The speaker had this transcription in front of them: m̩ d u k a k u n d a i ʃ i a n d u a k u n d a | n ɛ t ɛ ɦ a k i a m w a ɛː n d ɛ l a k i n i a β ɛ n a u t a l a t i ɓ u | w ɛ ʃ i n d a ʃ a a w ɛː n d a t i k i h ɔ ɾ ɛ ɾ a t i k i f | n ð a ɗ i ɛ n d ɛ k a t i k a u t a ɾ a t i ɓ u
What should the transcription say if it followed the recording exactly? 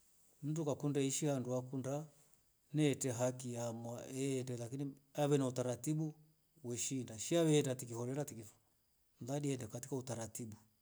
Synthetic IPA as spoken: m̩ d u k a k u n d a i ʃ i a n d u a k u n d a | n ɛ t ɛ ɦ a k i a m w a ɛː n d ɛ l a k i n i a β ɛ n a u t a ɾ a t i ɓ u | w ɛ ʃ i n d a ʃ i a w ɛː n d a t i k i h ɔ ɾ ɛ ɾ a t i k i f | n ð a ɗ i ɛ n d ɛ k a t i k a u t a ɾ a t i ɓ u